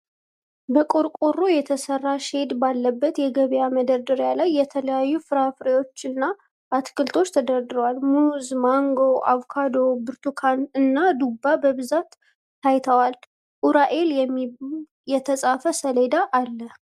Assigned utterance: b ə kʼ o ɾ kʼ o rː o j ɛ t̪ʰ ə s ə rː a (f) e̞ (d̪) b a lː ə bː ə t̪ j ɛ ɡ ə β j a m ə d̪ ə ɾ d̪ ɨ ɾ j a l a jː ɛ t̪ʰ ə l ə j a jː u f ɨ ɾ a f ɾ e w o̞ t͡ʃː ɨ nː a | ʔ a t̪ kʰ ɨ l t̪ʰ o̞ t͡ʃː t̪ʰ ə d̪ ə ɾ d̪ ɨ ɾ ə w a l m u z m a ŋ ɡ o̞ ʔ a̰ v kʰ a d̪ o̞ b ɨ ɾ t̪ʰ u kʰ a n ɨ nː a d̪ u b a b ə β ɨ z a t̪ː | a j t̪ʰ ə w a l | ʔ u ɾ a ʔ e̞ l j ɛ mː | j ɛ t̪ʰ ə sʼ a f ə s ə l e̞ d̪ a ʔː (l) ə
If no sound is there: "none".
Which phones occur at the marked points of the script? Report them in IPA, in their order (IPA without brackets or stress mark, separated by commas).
ʃ, d̪, lː